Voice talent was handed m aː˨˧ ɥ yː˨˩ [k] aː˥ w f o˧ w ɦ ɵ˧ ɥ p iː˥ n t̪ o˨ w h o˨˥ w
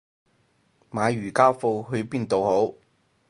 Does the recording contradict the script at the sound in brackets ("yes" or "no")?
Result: no